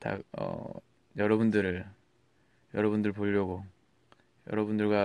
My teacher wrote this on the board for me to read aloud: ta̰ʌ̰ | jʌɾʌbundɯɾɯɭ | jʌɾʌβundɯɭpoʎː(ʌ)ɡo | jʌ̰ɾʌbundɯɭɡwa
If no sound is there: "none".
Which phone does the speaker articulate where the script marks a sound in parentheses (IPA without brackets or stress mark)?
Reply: ʌ